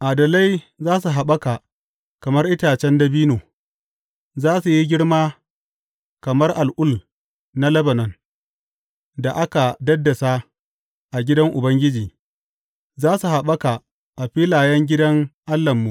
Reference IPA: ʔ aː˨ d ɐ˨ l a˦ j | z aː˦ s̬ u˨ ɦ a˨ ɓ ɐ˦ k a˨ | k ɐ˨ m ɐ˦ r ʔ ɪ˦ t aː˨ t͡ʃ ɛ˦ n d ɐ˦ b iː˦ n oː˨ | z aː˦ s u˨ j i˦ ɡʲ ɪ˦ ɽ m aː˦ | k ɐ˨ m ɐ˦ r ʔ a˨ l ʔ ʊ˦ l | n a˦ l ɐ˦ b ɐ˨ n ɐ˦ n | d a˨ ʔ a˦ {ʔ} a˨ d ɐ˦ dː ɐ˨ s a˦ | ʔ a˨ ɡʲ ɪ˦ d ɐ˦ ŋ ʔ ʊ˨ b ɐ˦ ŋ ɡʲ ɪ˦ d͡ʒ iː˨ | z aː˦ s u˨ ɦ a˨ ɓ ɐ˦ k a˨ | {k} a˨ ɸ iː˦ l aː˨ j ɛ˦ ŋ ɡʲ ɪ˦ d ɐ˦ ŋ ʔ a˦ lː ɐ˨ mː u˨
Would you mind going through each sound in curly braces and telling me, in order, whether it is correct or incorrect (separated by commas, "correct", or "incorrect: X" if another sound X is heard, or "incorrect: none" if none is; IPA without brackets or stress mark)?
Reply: incorrect: k, incorrect: ʔ